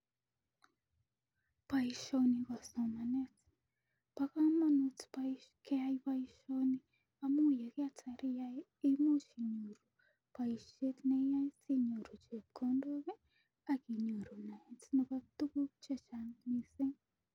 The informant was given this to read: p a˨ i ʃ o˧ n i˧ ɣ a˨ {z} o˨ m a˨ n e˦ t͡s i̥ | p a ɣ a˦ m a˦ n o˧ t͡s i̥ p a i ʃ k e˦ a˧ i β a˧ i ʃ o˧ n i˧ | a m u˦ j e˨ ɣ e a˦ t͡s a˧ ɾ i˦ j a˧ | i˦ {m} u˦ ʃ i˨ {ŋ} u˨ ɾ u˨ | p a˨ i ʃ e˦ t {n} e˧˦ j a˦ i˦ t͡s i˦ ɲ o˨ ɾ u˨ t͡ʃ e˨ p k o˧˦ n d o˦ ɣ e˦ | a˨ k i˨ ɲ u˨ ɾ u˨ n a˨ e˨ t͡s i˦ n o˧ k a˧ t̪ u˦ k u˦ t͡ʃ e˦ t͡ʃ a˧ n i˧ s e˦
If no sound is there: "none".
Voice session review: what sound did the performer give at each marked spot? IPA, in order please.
s, m, ɲ, n

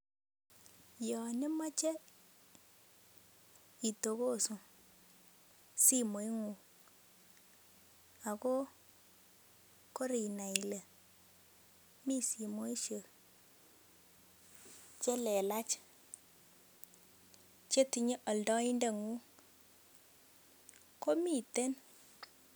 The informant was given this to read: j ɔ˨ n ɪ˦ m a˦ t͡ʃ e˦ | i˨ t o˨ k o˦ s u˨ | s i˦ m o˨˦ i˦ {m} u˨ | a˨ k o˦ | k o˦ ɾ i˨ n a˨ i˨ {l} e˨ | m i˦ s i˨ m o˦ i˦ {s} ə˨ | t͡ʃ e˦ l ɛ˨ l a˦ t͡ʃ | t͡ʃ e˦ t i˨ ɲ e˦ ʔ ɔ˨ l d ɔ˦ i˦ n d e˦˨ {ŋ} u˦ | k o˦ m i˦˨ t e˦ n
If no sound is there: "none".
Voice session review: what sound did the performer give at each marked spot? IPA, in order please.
ŋ, l, ʃ, ŋ

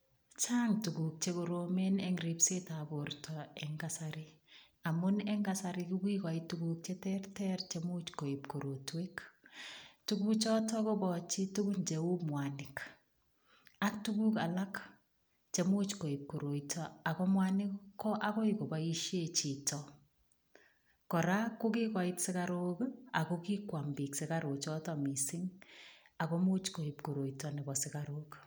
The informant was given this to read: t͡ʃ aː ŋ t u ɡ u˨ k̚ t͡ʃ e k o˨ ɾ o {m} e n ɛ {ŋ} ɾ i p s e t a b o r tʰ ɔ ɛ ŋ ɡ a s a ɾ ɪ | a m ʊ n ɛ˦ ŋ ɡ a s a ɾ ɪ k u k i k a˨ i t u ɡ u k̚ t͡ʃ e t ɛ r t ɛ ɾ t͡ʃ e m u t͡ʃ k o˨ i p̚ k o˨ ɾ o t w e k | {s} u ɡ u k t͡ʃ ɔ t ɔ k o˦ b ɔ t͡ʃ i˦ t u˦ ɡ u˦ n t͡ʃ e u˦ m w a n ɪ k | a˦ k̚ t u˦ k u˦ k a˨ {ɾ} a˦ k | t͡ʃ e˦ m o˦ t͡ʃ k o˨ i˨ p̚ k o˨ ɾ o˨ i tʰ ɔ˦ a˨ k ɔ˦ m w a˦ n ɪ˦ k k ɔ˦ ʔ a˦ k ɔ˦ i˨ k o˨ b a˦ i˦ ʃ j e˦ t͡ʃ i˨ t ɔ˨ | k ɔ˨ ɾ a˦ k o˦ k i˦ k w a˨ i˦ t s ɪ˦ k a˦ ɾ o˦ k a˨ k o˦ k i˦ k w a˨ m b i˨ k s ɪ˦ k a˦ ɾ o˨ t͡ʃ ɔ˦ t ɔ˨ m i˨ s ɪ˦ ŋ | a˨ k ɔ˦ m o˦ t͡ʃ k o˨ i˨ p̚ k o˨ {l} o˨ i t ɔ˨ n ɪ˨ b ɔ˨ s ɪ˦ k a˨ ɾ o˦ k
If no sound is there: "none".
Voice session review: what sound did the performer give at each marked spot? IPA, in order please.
m, ŋ, t, l, ɾ

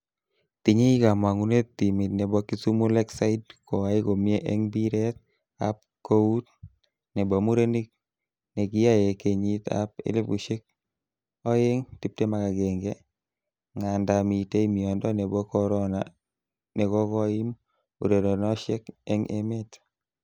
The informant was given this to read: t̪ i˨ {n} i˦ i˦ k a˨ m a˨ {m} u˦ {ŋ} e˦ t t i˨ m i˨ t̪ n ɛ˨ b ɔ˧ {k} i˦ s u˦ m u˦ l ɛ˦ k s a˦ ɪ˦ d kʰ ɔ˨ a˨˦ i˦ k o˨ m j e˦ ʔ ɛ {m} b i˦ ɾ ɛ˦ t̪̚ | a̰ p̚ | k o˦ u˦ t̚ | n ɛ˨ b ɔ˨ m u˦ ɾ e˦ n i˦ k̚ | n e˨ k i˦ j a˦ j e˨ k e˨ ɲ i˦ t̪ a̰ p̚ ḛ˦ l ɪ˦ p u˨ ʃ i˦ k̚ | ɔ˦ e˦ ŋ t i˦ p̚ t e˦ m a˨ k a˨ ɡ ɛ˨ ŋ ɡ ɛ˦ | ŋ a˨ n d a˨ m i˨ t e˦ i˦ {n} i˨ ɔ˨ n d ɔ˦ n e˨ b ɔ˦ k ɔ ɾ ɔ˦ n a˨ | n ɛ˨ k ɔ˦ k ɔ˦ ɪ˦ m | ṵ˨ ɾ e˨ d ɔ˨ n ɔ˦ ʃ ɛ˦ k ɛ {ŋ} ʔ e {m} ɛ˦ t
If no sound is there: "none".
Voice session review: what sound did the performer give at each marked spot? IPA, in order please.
ɲ, ŋ, n, k, ŋ, m, ŋ, m

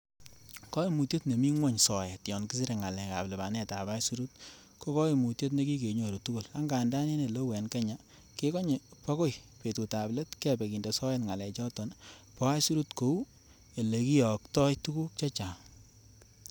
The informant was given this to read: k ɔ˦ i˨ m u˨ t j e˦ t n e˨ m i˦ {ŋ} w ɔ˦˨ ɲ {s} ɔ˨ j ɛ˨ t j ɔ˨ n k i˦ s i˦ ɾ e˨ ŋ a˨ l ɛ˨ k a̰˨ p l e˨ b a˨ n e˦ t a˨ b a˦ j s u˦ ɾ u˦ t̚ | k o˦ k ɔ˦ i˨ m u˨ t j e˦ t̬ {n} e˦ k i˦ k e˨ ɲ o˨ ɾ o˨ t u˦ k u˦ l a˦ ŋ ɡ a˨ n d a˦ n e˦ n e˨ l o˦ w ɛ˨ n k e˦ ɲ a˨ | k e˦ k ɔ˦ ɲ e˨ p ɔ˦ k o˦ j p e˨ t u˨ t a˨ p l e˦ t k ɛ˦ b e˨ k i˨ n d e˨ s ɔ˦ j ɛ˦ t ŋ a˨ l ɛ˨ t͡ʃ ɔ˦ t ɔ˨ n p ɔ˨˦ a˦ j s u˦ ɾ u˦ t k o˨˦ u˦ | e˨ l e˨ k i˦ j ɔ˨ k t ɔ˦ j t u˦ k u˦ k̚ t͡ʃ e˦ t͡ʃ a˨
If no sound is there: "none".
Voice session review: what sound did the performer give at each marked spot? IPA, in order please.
ŋ, s, n

